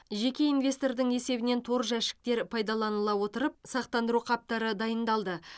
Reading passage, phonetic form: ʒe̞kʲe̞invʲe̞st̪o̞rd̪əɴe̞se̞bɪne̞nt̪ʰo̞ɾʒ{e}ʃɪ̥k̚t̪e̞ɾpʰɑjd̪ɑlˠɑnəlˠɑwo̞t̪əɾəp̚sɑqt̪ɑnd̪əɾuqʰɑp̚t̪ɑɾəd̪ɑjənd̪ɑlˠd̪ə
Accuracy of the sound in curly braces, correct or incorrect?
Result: incorrect: æ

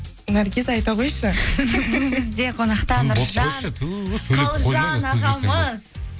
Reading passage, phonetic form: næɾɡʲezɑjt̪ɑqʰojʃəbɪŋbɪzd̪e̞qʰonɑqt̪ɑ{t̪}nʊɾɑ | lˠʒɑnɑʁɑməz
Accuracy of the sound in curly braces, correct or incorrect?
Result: incorrect: none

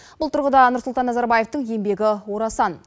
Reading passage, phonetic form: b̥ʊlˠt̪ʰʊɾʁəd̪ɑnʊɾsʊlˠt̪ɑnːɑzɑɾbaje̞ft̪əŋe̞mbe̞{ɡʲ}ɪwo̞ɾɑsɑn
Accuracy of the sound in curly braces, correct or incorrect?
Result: correct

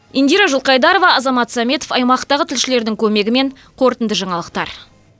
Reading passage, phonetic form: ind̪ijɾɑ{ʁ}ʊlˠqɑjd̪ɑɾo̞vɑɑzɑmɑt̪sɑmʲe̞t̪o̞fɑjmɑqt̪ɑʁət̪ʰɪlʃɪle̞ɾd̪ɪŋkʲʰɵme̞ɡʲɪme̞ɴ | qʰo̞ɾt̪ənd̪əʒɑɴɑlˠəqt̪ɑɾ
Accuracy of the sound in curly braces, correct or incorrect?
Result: incorrect: ʒ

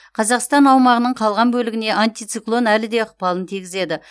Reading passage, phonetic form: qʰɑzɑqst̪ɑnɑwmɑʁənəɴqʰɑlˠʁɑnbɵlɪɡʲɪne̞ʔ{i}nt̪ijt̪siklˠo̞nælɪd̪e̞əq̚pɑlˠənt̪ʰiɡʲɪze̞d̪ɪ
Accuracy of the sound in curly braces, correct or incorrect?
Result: incorrect: a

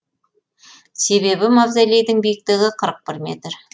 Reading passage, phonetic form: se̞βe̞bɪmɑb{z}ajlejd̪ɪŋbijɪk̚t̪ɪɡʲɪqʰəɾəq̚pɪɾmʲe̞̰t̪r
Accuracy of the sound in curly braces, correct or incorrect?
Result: correct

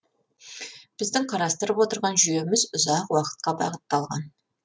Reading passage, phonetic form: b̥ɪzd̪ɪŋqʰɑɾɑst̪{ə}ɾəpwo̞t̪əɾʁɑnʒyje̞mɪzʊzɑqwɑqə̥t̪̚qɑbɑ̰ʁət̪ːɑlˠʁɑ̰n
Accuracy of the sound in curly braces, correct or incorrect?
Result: correct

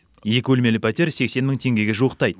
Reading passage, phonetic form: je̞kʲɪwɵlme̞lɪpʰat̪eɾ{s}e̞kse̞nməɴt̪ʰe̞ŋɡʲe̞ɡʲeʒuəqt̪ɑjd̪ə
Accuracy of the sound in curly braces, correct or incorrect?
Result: correct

